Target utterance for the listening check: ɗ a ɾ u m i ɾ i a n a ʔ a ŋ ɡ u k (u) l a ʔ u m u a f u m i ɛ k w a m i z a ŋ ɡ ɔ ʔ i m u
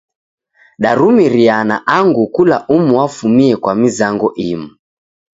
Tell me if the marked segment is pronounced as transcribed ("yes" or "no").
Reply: yes